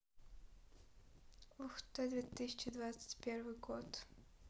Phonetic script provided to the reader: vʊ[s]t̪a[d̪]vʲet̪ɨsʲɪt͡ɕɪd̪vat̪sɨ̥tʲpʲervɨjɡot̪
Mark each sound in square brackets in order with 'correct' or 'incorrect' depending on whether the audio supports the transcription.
incorrect: x, correct

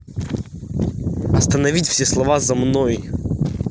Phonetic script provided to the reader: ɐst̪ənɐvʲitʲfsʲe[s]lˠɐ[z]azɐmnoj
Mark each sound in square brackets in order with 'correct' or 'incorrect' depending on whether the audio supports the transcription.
correct, incorrect: v

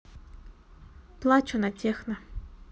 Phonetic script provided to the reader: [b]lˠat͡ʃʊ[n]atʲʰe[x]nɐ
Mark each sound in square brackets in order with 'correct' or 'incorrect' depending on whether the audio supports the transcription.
incorrect: p, correct, correct

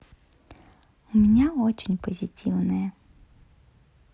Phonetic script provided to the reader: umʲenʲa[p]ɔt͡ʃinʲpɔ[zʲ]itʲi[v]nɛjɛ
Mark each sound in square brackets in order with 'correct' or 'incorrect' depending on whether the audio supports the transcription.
incorrect: none, correct, incorrect: w

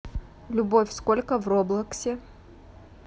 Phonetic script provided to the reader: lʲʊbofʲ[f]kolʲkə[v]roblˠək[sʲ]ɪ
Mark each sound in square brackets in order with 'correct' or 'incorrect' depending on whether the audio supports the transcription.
incorrect: s, correct, correct

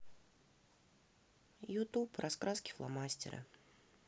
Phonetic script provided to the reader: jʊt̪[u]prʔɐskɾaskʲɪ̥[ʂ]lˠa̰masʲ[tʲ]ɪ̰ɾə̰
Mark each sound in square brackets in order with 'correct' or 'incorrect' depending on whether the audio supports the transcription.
correct, incorrect: f, correct

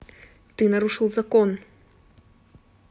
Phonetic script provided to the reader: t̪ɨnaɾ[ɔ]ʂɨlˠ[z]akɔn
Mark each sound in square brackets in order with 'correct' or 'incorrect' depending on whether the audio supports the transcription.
incorrect: u, correct

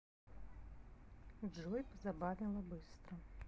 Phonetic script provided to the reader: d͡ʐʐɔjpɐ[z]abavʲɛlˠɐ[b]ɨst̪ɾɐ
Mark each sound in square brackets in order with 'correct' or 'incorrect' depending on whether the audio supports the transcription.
correct, correct

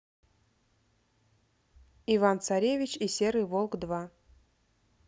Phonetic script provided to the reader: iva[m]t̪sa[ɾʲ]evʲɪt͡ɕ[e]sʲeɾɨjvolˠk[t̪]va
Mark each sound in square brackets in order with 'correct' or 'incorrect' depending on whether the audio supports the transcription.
incorrect: n, correct, incorrect: i, incorrect: d̪

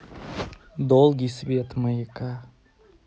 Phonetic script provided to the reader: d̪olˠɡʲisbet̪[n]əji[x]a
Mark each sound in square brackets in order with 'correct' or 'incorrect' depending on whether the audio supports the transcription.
incorrect: m, incorrect: k

